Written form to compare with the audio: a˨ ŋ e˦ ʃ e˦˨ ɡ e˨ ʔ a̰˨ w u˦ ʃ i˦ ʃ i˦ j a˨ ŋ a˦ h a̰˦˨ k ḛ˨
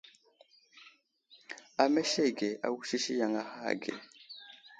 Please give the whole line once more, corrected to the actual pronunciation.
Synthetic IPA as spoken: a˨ m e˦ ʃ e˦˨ ɡ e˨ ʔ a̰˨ w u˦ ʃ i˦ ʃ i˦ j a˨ ŋ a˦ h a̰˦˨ ɡ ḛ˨